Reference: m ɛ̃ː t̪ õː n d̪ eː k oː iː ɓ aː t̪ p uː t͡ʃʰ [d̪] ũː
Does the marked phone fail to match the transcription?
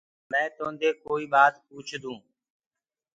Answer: no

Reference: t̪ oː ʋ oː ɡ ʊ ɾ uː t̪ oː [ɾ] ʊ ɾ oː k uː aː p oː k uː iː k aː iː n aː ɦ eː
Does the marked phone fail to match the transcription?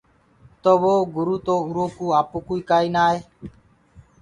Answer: yes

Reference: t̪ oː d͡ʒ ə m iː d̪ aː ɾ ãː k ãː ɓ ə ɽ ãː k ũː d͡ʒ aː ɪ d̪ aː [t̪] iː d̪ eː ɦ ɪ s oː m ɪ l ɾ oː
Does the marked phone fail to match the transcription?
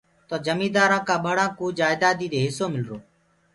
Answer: yes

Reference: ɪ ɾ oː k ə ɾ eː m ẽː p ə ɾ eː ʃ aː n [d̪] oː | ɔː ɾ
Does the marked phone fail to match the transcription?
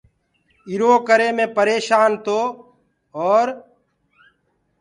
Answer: yes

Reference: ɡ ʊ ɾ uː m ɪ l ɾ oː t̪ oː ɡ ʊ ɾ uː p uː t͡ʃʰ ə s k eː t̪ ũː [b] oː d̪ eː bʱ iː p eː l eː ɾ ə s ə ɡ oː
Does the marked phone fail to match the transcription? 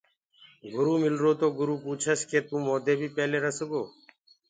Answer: yes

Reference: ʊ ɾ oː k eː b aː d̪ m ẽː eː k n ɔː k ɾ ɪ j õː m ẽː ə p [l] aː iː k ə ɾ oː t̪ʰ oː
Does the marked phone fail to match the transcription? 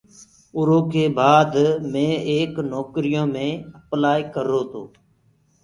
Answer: no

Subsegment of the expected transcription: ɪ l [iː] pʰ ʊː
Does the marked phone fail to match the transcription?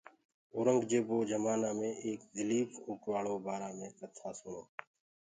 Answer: no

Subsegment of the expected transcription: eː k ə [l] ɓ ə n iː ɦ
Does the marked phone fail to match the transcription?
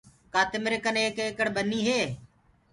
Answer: yes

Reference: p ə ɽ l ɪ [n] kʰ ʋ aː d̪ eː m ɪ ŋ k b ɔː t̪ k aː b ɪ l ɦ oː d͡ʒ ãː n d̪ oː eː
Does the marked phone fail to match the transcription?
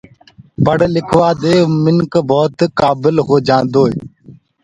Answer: yes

